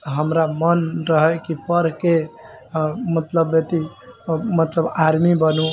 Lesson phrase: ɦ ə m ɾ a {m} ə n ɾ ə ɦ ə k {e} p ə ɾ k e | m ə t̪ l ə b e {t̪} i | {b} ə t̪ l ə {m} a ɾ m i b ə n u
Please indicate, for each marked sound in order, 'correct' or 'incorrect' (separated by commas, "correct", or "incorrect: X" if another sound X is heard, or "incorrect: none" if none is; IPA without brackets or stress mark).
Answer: correct, incorrect: i, correct, incorrect: m, incorrect: b